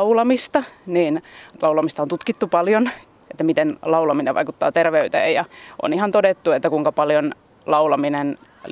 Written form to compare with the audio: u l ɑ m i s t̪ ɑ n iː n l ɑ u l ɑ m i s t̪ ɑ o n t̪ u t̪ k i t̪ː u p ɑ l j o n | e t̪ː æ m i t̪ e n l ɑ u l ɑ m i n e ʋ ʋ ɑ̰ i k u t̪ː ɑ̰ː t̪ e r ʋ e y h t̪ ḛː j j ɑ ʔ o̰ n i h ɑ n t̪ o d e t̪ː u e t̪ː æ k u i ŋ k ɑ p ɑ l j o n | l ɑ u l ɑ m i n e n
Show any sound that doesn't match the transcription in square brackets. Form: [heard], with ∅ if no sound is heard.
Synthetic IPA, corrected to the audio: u l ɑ m i s t̪ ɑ n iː n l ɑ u l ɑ m i s t̪ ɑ o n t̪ u t̪ k i t̪ː u p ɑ l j o n | e t̪ː æ m i t̪ e n l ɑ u l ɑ m i n e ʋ ʋ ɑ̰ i k u t̪ː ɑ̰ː t̪ e r ʋ e y [∅] t̪ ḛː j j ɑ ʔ o̰ n i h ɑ n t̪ o d e t̪ː u e t̪ː æ k u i ŋ k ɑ p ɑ l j o n | l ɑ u l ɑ m i n e n